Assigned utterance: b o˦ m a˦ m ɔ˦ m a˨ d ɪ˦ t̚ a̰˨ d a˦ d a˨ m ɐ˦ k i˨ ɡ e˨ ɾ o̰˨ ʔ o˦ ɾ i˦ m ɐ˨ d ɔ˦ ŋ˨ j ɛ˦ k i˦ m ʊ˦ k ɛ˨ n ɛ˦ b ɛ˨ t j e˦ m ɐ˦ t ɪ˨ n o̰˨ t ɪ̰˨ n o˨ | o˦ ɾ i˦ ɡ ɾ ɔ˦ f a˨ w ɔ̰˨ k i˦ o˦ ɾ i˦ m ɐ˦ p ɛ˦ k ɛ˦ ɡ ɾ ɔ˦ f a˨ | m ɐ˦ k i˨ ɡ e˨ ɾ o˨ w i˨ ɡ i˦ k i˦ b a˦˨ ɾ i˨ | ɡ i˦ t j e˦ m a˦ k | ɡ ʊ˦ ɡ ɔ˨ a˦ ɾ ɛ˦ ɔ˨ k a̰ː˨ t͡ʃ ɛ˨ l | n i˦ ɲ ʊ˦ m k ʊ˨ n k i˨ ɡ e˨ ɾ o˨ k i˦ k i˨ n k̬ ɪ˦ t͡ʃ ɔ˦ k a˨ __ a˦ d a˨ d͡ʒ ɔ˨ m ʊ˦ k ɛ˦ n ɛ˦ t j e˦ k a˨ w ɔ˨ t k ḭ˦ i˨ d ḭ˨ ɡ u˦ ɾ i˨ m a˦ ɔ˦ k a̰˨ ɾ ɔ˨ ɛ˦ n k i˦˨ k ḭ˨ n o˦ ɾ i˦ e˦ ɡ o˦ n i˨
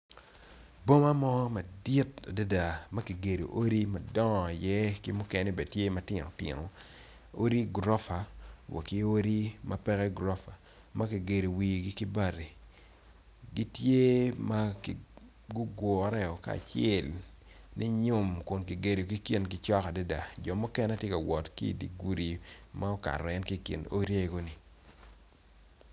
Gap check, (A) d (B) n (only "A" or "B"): A